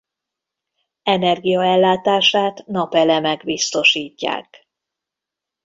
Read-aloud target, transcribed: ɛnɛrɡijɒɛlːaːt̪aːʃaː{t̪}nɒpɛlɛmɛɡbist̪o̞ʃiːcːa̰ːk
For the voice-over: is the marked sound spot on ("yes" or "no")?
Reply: yes